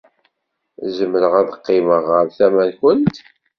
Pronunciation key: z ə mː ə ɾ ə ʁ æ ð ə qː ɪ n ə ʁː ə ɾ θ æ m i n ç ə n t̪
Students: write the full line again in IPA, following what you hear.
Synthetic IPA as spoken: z ə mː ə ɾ ə ʁ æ ð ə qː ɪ m ə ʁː ə ɾ θ æ m æ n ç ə n t̪